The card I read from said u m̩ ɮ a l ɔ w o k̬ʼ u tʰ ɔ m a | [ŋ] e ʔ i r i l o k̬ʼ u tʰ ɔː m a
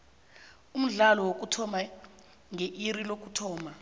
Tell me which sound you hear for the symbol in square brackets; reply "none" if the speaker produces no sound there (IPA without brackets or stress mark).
ŋ